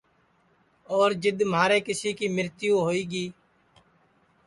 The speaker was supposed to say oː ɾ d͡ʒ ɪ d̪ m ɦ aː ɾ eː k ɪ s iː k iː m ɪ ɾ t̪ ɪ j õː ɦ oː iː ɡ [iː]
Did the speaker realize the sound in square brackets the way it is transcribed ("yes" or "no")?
yes